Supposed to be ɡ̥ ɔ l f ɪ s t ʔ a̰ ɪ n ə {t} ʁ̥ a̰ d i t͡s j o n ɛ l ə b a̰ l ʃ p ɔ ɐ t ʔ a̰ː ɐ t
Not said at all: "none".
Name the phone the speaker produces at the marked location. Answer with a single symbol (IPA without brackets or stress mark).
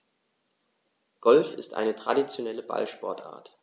t